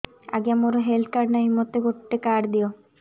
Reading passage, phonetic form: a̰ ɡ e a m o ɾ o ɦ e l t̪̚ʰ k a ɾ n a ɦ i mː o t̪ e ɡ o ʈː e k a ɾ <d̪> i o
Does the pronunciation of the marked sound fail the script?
no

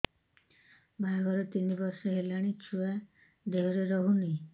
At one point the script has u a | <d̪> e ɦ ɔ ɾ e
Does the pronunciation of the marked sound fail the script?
no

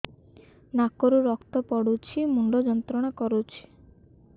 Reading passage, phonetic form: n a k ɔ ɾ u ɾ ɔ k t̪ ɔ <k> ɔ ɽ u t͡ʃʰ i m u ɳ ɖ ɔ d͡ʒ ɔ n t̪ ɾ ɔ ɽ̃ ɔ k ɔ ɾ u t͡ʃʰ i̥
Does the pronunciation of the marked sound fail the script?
yes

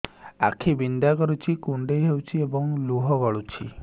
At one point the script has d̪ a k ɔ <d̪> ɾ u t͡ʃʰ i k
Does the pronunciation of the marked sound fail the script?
yes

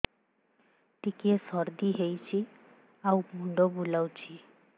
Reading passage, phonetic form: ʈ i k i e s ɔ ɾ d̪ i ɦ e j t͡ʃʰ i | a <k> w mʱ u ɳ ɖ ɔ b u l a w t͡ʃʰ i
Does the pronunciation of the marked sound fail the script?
yes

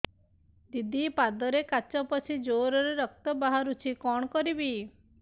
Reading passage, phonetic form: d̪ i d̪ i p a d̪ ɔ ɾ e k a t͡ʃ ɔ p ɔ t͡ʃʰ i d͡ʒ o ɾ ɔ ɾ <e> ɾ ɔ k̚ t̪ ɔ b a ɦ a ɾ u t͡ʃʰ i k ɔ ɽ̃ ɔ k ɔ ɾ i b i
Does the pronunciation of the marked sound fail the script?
no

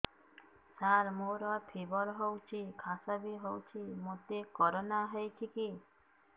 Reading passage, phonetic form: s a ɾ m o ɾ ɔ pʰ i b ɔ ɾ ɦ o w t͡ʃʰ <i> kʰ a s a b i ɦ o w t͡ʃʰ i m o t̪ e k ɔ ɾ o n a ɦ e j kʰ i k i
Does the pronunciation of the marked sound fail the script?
no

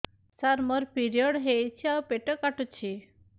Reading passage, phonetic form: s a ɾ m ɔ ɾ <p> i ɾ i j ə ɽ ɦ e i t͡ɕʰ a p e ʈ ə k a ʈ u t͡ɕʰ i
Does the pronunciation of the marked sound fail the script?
no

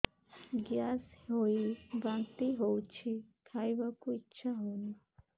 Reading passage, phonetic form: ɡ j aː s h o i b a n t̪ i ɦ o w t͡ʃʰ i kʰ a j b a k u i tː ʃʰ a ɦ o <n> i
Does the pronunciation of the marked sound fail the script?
no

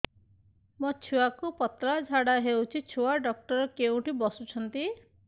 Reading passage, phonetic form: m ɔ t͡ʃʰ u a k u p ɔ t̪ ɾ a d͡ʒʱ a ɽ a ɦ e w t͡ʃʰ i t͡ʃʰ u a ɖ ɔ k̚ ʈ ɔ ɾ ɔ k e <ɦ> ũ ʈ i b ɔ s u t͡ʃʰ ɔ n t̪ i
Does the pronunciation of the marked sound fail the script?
yes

